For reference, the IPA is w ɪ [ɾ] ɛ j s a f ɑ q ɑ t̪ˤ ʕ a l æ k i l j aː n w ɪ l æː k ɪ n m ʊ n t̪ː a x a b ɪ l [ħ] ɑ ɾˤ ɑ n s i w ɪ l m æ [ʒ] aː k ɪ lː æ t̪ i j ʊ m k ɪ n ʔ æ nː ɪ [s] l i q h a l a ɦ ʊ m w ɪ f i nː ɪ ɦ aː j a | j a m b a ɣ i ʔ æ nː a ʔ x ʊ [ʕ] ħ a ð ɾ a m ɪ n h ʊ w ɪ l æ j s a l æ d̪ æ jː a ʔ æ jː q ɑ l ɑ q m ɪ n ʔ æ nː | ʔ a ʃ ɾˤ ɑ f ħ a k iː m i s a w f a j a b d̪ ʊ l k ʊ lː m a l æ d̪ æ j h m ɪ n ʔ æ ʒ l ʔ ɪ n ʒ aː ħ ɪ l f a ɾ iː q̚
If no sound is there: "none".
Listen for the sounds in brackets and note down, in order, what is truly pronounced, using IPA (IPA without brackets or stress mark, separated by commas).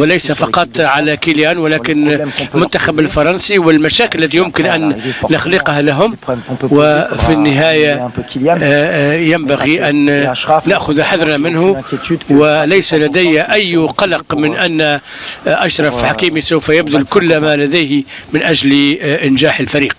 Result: l, f, ʃ, x, ð